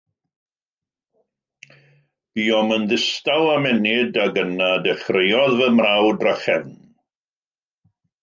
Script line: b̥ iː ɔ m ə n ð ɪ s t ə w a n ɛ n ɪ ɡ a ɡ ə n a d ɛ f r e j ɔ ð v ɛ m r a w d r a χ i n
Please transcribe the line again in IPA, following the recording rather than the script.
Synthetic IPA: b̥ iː ɔ m ə n ð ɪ s t a w a m ɛ n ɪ d a ɡ ə n a d ɛ χ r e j ɔ ð v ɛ m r a w d r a χ ɛ n